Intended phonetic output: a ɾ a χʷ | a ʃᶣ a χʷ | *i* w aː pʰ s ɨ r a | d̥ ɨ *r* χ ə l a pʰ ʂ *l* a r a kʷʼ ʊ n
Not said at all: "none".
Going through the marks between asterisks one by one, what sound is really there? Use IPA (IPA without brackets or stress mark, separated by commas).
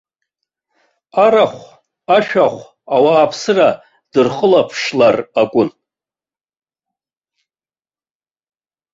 a, r, l